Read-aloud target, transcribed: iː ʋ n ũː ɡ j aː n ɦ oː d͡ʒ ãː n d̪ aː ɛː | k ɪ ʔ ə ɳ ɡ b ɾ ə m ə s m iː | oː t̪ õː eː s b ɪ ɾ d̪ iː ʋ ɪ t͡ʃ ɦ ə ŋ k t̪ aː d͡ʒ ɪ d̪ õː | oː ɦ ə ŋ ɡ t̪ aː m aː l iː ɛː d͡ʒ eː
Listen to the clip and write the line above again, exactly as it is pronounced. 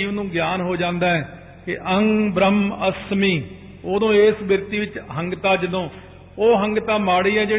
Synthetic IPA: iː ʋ n ũː ɡ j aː n ɦ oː d͡ʒ ãː n d̪ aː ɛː | k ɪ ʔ ə ŋ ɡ b ɾ ə m ə s m iː | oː d̪ õː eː s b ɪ ɾ t̪ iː ʋ ɪ t͡ʃ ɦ ə ŋ ɡ t̪ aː d͡ʒ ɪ d̪ õː | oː ɦ ə ŋ ɡ t̪ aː m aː ɽ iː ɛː d͡ʒ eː